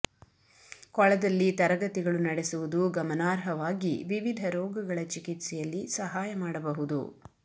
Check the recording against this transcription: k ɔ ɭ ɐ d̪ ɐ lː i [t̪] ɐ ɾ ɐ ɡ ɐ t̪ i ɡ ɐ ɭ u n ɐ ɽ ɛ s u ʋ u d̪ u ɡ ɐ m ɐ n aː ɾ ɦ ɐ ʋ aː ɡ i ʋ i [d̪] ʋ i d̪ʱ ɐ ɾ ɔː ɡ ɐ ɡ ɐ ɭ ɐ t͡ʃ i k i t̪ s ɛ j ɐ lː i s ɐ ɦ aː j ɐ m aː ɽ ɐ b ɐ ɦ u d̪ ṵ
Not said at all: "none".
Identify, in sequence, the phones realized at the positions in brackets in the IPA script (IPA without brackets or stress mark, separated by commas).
t̪, none